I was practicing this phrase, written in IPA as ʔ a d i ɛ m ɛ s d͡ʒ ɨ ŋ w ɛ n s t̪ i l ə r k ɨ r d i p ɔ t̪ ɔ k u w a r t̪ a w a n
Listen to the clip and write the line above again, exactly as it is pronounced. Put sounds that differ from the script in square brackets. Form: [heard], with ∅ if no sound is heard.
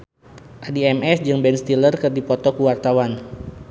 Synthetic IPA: ʔ a d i ɛ m ɛ s d͡ʒ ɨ ŋ [b] ɛ n s t̪ i l ə r k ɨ r d i p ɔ t̪ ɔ k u w a r t̪ a w a n